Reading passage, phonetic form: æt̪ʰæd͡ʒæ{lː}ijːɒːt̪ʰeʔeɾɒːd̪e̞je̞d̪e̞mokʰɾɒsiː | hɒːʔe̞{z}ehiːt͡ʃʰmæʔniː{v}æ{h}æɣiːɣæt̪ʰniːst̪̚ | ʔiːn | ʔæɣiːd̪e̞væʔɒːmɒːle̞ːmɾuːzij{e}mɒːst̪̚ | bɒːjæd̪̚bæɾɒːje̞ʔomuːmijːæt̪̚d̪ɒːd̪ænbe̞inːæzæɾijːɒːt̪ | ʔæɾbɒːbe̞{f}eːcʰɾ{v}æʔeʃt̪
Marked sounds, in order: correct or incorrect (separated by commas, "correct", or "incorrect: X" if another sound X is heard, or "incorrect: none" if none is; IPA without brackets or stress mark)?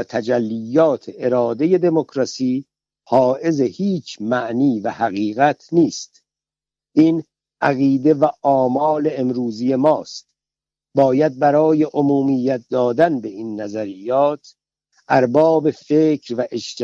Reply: correct, correct, correct, correct, correct, correct, correct